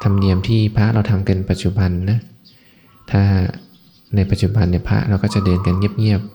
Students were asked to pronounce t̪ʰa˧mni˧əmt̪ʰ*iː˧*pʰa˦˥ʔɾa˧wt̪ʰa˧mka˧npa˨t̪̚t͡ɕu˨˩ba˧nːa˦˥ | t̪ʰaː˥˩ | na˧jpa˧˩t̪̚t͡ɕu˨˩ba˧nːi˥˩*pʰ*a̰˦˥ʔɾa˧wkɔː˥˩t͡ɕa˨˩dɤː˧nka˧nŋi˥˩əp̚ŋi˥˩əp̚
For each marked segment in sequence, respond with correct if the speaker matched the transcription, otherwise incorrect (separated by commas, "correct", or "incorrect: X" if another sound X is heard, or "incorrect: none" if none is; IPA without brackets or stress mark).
incorrect: iː˥˩, correct